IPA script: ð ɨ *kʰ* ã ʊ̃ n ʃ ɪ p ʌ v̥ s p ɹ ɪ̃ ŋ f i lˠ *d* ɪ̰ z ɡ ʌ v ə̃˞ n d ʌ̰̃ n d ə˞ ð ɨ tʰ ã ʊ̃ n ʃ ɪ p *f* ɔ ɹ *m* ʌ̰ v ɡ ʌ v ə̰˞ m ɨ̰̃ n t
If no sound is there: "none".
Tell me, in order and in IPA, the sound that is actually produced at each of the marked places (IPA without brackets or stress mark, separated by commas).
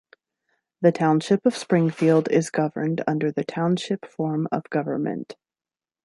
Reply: tʰ, d, f, m